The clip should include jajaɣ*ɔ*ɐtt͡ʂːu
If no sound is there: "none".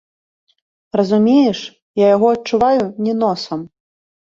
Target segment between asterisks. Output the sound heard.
ɔ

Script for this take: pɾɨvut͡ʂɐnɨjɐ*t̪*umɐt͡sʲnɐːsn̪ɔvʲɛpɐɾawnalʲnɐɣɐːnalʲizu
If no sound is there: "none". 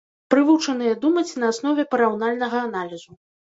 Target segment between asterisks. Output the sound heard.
d̪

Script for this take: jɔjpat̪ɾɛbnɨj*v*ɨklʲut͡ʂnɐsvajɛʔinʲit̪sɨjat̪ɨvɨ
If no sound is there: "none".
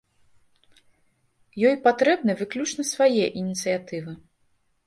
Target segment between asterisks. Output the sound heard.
v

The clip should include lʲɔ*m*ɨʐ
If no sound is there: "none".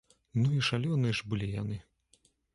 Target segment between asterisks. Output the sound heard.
n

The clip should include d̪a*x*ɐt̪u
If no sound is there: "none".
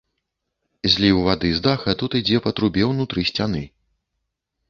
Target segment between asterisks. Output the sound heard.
x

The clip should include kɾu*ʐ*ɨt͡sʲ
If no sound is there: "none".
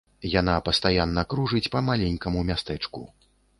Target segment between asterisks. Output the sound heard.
ʐ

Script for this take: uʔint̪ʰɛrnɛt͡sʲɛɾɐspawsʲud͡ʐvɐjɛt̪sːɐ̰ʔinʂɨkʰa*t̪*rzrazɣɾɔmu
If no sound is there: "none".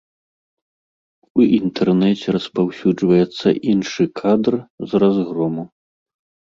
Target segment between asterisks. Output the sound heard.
d̪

